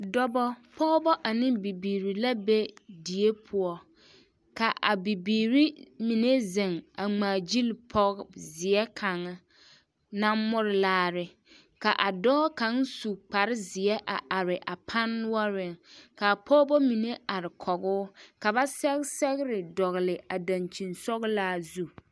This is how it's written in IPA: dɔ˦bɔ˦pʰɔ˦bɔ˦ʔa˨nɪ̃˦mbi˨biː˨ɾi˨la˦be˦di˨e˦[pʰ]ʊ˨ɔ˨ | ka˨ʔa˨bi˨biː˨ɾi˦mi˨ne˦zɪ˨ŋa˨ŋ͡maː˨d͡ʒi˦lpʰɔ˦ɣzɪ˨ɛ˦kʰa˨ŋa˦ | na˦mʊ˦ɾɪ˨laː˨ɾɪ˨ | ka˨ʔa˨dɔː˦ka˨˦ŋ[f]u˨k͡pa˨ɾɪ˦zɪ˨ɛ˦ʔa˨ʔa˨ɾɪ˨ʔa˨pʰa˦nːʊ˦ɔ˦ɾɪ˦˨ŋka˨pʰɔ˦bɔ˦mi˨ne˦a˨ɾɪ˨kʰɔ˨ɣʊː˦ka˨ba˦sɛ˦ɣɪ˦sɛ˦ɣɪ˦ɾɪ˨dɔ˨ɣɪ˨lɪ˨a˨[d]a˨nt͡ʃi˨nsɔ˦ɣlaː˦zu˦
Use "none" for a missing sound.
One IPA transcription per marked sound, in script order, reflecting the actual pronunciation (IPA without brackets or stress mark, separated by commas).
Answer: pʰ, s, d